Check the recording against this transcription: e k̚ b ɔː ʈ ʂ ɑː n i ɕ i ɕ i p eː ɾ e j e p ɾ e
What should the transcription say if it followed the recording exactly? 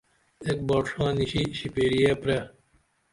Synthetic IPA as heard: e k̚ b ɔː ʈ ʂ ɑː n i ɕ i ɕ i p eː ɾ i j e p ɾ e